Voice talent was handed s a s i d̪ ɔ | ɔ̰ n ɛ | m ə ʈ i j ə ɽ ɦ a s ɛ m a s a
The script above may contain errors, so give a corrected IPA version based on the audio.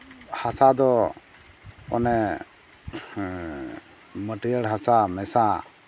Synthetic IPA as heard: h a s a d̪ ɔ | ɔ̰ n ɛ | m ə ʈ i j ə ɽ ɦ a s a m ɛ s a